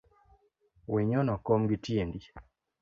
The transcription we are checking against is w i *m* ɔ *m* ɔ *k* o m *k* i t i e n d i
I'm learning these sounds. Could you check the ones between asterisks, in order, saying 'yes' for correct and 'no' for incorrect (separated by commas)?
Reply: no, no, yes, no